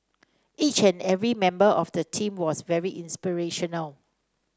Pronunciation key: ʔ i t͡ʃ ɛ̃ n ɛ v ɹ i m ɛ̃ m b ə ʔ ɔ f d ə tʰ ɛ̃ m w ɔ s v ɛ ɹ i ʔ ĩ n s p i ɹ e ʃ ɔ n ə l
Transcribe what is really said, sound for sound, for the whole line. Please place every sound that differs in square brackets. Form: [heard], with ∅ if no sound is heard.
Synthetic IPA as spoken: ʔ i t͡ʃ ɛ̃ n ɛ v ɹ i m ɛ̃ m b ə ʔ ɔ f d ə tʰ [ĩ] m w ɔ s v ɛ ɹ i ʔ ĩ n s p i ɹ e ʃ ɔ n ə l